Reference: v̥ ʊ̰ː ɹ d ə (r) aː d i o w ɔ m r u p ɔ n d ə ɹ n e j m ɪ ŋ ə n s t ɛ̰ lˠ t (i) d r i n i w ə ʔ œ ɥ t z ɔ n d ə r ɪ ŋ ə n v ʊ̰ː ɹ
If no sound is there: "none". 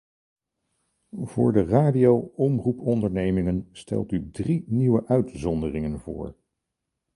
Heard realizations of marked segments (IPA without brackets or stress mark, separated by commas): r, y